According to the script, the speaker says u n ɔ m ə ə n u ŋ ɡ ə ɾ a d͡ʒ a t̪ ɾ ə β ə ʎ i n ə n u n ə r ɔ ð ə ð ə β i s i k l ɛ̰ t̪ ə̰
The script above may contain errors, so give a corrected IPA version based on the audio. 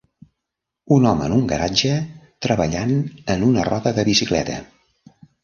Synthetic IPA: u n ɔ m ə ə n u ŋ ɡ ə ɾ a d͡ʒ ə t̪ ɾ ə β ə ʎ a n ə n u n ə r ɔ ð ə ð ə β i s i k l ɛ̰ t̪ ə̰